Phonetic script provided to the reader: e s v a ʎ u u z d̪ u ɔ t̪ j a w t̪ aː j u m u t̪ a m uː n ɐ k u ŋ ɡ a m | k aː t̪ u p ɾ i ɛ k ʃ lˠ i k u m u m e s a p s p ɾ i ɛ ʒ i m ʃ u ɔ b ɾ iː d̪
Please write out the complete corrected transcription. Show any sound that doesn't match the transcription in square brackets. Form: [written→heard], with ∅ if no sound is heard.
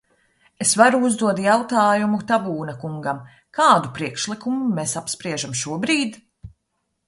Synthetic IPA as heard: e s v a [ʎ→ɾ] u u z d̪ u ɔ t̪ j a w t̪ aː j u m u t̪ a [m→b] uː n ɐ k u ŋ ɡ a m | k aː [t̪→d̪] u p ɾ i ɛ k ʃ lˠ i k u m u m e s a p s p ɾ i ɛ ʒ [i→a] m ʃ u ɔ b ɾ iː d̪

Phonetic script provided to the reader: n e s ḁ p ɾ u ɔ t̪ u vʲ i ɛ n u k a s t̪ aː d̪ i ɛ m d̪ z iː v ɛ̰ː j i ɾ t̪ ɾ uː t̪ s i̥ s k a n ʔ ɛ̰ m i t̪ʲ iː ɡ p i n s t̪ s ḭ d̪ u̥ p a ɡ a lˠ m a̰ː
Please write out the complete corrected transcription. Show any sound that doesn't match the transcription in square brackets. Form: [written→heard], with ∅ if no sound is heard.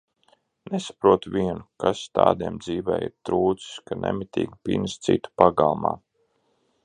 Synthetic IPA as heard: n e s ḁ p ɾ u ɔ t̪ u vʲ i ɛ n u k a s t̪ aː d̪ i ɛ m d̪ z iː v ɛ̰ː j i ɾ t̪ ɾ uː t̪ s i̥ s k a n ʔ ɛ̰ m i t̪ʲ iː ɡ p i n s t̪ s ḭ [d̪→t̪] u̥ p a ɡ a lˠ m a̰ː

